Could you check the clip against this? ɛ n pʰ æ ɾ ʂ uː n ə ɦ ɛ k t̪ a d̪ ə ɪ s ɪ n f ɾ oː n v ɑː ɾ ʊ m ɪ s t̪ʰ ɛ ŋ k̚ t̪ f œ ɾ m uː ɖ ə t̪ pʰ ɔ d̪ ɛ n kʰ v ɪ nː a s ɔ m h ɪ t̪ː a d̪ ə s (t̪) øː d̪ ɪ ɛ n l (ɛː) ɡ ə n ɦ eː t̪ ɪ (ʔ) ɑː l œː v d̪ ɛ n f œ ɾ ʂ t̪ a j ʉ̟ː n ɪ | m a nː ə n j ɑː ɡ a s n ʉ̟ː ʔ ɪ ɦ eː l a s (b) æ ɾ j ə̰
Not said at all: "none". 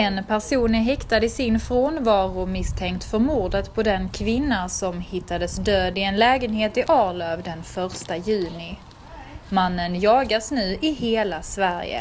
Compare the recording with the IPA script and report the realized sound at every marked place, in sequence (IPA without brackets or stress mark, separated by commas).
d̪, ɛː, ʔ, v